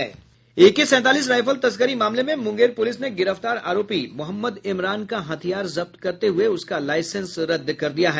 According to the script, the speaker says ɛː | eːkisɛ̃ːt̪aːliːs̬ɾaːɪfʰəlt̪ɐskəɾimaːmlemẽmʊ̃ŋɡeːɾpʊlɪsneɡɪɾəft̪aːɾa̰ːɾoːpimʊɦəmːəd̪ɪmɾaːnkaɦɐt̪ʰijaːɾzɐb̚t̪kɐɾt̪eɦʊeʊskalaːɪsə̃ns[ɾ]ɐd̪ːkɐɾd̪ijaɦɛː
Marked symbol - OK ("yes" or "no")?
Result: yes